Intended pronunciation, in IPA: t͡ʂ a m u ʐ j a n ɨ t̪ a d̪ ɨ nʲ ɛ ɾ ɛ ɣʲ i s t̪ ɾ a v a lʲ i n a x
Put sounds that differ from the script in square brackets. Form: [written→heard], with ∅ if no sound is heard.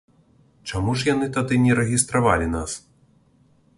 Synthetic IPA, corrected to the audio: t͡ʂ a m u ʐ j a n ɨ t̪ a d̪ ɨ nʲ ɛ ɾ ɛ ɣʲ i s t̪ ɾ a v a lʲ i n a [x→s]